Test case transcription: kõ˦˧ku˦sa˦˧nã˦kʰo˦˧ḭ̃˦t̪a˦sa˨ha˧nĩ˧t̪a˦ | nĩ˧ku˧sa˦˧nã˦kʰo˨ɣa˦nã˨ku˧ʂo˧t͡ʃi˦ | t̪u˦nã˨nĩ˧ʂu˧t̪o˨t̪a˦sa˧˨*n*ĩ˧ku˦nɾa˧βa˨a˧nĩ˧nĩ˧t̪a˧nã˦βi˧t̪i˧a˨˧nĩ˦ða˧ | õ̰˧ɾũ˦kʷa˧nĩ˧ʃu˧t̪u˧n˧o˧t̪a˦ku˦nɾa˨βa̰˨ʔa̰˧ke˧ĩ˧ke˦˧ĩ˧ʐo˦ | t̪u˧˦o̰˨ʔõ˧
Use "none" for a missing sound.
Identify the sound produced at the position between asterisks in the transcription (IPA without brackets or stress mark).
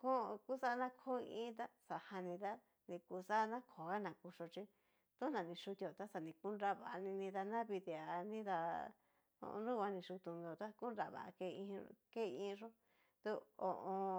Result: n